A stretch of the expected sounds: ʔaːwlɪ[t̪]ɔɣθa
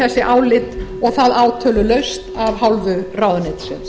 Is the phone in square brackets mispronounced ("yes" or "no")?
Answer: no